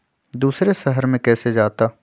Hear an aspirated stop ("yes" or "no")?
no